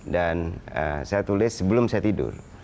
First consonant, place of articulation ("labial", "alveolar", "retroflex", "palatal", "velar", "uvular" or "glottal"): alveolar